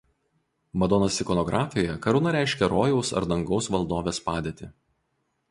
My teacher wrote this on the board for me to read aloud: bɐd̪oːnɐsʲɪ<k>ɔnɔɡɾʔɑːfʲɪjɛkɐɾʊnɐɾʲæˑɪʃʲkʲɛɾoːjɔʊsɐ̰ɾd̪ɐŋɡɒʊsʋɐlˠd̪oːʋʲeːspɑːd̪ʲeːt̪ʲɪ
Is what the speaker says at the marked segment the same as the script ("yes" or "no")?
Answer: yes